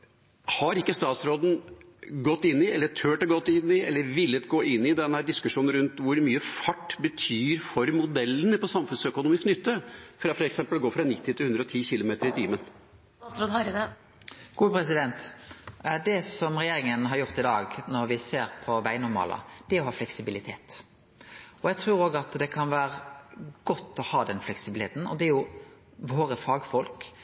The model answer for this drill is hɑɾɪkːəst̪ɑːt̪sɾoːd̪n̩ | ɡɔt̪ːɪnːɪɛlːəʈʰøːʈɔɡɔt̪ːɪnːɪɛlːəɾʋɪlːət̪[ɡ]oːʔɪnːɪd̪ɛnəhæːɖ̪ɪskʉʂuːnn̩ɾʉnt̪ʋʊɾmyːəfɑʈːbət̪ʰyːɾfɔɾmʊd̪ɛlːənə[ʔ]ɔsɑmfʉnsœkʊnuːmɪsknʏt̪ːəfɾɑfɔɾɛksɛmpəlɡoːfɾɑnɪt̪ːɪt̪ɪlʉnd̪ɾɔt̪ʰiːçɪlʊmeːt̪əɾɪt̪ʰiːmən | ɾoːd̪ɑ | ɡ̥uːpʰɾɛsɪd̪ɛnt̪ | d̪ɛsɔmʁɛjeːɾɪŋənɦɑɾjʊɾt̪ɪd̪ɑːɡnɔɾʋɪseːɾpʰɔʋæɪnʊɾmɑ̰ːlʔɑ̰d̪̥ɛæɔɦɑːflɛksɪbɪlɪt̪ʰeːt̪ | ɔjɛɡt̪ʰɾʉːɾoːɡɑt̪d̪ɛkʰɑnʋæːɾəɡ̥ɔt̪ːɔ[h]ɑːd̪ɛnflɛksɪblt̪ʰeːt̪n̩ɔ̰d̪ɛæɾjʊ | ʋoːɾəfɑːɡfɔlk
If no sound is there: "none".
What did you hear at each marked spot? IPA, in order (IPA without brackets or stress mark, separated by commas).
ɡ, p, h